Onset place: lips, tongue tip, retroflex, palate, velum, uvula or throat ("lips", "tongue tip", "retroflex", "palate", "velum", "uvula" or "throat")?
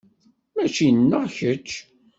lips